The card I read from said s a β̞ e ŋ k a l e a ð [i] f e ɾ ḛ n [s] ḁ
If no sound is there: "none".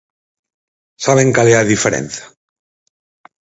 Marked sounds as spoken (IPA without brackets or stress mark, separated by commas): i, θ